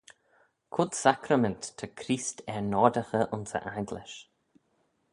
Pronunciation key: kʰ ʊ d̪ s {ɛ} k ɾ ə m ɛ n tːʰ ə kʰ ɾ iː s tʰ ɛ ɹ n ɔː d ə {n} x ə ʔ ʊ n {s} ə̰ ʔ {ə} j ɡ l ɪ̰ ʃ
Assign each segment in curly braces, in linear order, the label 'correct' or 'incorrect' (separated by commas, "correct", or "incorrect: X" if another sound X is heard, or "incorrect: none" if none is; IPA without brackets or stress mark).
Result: incorrect: a, incorrect: none, correct, incorrect: a